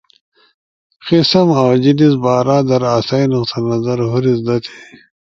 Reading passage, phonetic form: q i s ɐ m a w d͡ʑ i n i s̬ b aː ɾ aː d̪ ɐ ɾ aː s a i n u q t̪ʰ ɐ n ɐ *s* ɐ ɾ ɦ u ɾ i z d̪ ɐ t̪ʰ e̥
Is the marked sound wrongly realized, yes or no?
yes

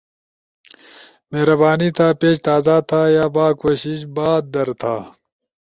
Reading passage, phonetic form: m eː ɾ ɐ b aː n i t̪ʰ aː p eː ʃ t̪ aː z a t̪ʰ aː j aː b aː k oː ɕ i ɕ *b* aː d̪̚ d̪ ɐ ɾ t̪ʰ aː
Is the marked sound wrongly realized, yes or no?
no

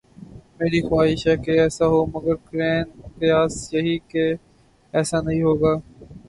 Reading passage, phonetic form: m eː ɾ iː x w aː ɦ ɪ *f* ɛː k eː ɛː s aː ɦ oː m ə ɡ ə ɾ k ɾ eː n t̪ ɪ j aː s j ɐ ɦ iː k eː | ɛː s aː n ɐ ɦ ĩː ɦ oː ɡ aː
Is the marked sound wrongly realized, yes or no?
yes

